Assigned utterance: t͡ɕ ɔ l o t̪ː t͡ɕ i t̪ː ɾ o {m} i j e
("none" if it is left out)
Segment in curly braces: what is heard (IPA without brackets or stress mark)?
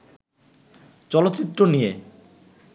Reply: n